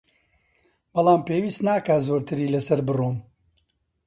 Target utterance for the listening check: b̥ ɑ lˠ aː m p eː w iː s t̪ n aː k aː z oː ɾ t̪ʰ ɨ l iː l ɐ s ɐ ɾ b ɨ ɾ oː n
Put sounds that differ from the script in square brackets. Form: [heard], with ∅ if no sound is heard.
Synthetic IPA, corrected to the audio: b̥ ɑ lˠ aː m p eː w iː s t̪ n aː k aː z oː ɾ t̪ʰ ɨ [ɾ] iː l ɐ s ɐ ɾ b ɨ [r] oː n